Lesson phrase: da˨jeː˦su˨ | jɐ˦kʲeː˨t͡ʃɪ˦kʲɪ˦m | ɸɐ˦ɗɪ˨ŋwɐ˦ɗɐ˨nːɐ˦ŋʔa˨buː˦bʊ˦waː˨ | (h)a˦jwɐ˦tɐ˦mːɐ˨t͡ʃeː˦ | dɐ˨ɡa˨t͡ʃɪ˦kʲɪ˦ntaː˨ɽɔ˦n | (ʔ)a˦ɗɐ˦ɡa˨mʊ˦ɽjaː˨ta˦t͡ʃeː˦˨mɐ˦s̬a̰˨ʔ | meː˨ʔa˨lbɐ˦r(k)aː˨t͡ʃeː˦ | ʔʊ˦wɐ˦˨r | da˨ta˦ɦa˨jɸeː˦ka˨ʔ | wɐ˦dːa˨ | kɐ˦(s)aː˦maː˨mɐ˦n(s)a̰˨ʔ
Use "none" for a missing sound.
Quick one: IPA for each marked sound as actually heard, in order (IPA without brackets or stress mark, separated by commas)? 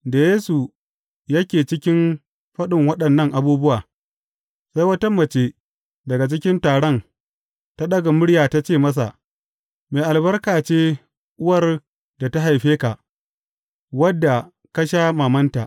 s, t, k, ʃ, t